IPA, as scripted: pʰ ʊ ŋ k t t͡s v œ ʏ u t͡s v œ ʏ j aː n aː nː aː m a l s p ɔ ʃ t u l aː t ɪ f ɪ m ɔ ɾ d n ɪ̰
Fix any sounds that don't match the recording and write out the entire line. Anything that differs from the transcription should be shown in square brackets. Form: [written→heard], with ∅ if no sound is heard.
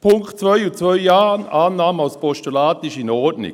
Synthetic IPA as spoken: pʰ ʊ ŋ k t t͡s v œ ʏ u t͡s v œ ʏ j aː n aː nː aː m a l s p ɔ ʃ t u l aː t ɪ [f→ʃ] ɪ [m→n] ɔ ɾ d n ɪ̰